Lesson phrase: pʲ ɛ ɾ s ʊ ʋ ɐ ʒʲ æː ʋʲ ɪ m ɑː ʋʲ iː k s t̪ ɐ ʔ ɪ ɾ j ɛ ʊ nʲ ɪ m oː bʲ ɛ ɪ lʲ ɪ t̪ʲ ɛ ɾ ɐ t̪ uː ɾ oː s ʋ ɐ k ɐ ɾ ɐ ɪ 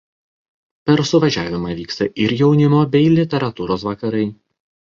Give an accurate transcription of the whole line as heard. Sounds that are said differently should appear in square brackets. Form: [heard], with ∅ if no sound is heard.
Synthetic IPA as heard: pʲ ɛ ɾ s ʊ ʋ ɐ ʒʲ æː ʋʲ ɪ m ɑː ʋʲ iː k s t̪ ɐ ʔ ɪ ɾ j ɛ ʊ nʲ ɪ m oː bʲ ɛ ɪ lʲ ɪ t̪ʲ ɛ ɾ ɐ t̪ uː ɾ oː s ʋ ɐ k ɐ ɾ ɐ ɪ

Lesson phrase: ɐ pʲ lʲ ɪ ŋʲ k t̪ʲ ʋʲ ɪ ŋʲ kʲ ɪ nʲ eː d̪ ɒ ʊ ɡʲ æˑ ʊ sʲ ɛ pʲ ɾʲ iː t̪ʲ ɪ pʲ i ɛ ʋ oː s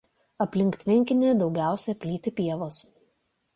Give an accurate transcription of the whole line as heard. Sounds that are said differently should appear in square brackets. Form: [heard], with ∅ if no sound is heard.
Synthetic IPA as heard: ɐ pʲ lʲ ɪ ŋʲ k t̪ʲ ʋʲ ɪ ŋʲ kʲ ɪ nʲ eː d̪ ɒ ʊ ɡʲ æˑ ʊ sʲ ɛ pʲ [lʲ] iː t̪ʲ ɪ pʲ i ɛ ʋ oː s

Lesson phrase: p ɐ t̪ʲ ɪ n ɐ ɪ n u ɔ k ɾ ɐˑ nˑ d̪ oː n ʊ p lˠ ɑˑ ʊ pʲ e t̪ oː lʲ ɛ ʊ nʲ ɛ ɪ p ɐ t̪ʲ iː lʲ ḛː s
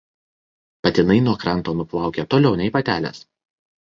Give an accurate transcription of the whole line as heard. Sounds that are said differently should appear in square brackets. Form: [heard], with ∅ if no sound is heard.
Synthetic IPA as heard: p ɐ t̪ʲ ɪ n ɐ ɪ n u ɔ k ɾ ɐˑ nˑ [t̪] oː n ʊ p lˠ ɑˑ ʊ [kʲ] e t̪ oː lʲ ɛ ʊ nʲ ɛ ɪ p ɐ t̪ʲ [æː] lʲ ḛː s

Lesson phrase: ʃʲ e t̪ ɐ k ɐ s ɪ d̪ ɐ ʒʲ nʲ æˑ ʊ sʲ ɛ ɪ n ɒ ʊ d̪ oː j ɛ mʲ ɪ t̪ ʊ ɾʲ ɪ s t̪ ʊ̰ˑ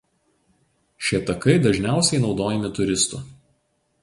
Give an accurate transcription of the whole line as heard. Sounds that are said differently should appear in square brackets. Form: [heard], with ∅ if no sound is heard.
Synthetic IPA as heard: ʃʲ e t̪ ɐ k ɐ [∅] ɪ d̪ ɐ ʒʲ nʲ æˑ ʊ sʲ ɛ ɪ n ɒ ʊ d̪ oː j ɛ mʲ ɪ t̪ ʊ ɾʲ ɪ s t̪ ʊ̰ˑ

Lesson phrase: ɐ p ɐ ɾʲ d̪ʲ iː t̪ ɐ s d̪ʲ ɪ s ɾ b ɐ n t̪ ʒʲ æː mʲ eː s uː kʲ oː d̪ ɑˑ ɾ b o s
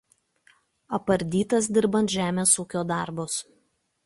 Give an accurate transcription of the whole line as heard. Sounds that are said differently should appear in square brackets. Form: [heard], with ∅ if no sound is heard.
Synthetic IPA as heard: ɐ p ɐ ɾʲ d̪ʲ iː t̪ ɐ s d̪ʲ ɪ [∅] ɾ b ɐ n t̪ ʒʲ æː mʲ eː s uː kʲ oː d̪ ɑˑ ɾ b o s

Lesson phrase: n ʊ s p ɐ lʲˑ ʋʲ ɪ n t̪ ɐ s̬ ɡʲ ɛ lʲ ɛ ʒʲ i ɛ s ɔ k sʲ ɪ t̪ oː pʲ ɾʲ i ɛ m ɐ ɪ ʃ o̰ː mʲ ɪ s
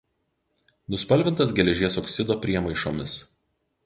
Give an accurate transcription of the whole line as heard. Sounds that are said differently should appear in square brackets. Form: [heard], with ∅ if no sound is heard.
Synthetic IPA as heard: n ʊ s p ɐ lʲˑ ʋʲ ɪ n t̪ ɐ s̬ ɡʲ ɛ lʲ ɛ ʒʲ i ɛ s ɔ k sʲ ɪ [d̪] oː pʲ ɾʲ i ɛ m ɐ ɪ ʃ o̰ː mʲ ɪ s

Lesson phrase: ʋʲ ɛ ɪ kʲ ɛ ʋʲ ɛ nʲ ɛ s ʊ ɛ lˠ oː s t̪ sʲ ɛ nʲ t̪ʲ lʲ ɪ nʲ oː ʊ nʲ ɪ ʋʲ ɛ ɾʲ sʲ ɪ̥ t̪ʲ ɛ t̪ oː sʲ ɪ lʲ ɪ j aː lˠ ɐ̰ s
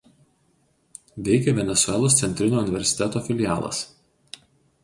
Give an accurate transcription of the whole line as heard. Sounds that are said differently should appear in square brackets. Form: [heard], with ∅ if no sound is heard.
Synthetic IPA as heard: ʋʲ ɛ ɪ kʲ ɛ ʋʲ ɛ nʲ ɛ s ʊ ɛ lˠ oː s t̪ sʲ ɛ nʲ t̪ʲ [ɾʲ] ɪ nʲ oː ʊ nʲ ɪ ʋʲ ɛ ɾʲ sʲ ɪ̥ t̪ʲ ɛ t̪ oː [fʲ] ɪ lʲ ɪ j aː lˠ ɐ̰ s

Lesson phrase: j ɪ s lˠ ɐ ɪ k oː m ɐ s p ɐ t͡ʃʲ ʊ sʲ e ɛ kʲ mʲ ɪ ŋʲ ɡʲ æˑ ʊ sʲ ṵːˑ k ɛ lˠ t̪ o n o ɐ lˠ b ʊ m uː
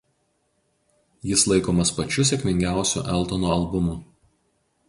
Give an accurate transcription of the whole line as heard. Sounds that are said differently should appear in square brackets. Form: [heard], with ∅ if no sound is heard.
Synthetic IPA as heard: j ɪ s lˠ ɐ ɪ k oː m ɐ s p ɐ t͡ʃʲ ʊ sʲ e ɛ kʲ mʲ ɪ ŋʲ ɡʲ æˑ ʊ sʲ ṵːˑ [ʔ] ɛ lˠ t̪ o n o ɐ lˠ b ʊ m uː

